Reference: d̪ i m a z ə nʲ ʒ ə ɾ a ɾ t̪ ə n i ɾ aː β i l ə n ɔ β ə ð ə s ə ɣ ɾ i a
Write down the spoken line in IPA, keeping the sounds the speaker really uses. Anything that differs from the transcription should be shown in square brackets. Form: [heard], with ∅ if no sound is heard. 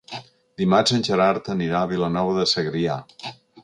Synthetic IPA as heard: d̪ i m a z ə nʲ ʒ ə ɾ a ɾ t̪ ə n i ɾ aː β i l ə n ɔ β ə ð ə s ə ɣ ɾ i a